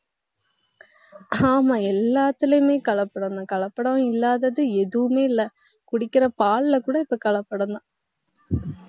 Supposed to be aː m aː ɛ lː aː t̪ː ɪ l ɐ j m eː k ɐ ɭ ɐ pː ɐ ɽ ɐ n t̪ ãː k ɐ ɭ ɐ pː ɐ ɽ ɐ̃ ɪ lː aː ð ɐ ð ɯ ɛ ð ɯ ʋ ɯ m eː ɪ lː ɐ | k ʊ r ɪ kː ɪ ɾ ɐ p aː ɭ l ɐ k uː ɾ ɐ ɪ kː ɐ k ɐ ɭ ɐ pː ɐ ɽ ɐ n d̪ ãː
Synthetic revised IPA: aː m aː ɛ lː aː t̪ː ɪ l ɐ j m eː k ɐ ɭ ɐ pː ɐ ɽ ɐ n d̪ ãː k ɐ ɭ ɐ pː ɐ ɽ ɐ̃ ɪ lː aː ð ɐ ð ɯ ɛ ð ɯ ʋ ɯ m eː ɪ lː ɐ | k ʊ ɽ ɪ kː ɪ ɾ ɐ p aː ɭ l ɐ k uː ɽ ɐ ɪ pː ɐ k ɐ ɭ ɐ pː ɐ ɽ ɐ n d̪ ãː